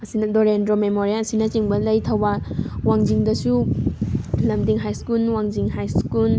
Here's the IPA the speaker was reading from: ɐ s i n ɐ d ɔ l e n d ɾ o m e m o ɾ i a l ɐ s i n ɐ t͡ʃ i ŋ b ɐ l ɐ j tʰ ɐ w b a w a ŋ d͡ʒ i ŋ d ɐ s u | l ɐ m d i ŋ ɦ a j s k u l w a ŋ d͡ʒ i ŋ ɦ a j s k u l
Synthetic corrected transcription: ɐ s i n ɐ d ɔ ɾ e n d ɾ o m e m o ɾ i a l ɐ s i n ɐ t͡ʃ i ŋ b ɐ l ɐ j tʰ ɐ w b a w a ŋ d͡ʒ i ŋ d ɐ s u | l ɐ m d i ŋ ɦ a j s k u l w a ŋ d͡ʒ i ŋ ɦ a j s k u l